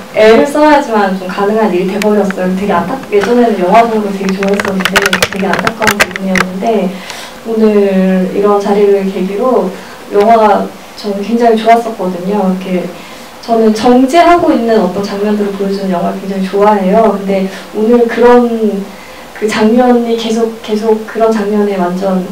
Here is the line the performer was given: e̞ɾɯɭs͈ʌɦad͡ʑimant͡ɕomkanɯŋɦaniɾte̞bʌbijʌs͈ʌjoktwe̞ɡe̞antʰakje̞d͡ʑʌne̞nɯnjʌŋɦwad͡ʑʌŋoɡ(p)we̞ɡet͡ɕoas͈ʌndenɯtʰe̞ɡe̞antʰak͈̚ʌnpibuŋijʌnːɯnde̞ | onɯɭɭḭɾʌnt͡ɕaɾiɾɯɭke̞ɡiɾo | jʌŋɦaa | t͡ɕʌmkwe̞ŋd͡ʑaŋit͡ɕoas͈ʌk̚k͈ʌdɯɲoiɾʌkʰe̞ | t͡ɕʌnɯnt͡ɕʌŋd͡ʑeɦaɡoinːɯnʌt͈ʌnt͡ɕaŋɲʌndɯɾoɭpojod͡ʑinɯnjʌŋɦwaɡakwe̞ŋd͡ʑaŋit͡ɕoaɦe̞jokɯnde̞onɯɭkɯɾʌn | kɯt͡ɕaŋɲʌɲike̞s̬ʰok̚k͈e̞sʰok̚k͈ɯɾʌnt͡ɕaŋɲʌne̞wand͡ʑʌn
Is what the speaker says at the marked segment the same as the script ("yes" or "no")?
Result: no